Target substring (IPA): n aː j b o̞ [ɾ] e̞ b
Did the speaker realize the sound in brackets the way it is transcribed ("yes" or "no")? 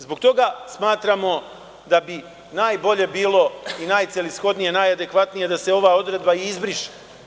no